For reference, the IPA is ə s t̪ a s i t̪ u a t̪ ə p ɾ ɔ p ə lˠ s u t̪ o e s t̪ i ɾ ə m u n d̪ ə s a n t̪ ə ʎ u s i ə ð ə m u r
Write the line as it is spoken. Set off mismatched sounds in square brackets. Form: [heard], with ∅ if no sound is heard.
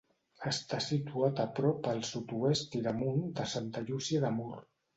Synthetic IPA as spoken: ə s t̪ a s i t̪ u a t̪ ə p ɾ ɔ p ə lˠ s u t̪ [u] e s t̪ i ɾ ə m u n d̪ ə s a n t̪ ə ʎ u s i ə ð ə m u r